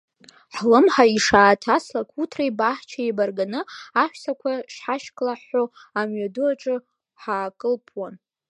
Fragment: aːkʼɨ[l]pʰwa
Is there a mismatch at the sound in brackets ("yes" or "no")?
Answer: no